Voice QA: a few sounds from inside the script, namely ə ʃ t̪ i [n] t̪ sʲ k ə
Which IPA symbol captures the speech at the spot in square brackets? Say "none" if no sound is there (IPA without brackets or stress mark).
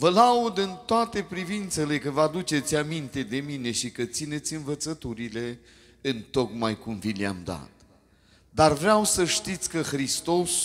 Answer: none